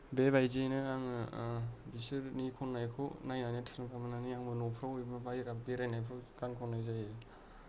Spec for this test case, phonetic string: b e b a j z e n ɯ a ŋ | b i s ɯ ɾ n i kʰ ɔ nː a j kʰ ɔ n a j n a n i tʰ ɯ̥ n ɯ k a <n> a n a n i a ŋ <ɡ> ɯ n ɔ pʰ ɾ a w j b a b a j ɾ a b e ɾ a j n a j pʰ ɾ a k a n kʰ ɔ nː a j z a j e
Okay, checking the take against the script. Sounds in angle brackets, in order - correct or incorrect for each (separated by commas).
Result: incorrect, incorrect